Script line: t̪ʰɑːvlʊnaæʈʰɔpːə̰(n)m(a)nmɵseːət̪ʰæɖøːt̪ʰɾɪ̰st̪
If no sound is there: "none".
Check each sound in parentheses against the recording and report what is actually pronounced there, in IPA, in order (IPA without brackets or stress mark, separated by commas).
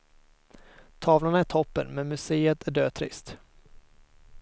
n, ɛ